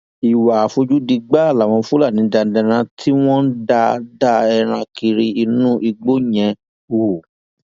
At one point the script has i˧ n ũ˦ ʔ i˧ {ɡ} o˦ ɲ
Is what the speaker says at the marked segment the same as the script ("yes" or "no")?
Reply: no